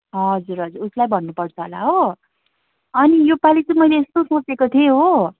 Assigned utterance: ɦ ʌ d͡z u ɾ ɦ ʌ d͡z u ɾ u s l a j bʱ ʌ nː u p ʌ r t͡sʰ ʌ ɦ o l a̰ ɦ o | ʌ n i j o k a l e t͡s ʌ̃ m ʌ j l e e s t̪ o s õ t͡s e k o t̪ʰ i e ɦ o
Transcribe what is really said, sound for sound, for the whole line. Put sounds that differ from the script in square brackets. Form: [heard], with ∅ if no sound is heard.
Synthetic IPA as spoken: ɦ ʌ d͡z u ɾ ɦ ʌ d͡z u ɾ u s l a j bʱ ʌ nː u p ʌ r t͡sʰ ʌ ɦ o l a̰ ɦ o | ʌ n i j o [p] a l [i] t͡s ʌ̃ m ʌ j l e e s t̪ o s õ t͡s e k o t̪ʰ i e ɦ o